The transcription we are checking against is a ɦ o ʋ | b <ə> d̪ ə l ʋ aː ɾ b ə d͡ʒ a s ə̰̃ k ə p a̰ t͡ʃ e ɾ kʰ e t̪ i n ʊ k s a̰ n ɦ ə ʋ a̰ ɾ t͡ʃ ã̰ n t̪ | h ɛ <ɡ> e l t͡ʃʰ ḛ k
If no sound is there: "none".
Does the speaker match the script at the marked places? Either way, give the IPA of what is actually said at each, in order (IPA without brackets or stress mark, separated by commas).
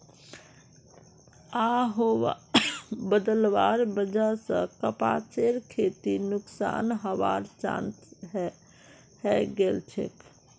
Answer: ə, ɡ